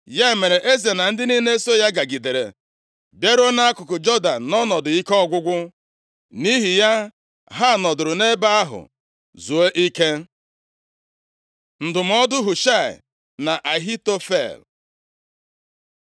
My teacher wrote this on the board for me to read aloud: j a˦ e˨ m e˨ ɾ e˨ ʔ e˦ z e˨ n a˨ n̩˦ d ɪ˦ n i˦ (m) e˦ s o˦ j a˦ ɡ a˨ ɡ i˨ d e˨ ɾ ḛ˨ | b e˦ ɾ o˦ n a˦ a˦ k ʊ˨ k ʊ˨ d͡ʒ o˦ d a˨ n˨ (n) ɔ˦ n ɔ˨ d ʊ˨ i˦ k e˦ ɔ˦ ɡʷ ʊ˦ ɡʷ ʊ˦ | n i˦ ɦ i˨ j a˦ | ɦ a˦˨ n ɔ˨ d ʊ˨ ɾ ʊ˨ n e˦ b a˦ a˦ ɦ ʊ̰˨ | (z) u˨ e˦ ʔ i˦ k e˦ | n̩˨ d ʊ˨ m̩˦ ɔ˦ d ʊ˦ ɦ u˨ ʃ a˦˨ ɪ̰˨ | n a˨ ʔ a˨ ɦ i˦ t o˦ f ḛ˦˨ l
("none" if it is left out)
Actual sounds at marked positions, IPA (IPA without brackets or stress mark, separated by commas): n, n, z